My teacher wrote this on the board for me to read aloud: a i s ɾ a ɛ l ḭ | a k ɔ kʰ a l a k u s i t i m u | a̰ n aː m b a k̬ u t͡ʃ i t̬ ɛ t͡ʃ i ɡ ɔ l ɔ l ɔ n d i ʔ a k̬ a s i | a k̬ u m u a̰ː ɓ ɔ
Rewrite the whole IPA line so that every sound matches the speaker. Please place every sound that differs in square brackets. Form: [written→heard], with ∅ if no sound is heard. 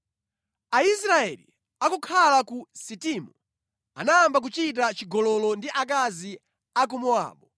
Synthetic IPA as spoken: a i s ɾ a ɛ l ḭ | a k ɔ kʰ a l a k u s i t i m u | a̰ n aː m b a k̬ u t͡ʃ i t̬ [ɛ→a] t͡ʃ i ɡ ɔ l ɔ l ɔ n d i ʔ a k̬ a [s→z] i | a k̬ u m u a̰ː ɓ ɔ